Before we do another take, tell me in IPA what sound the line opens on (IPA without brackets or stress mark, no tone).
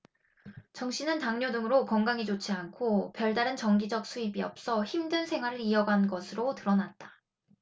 t͡ɕ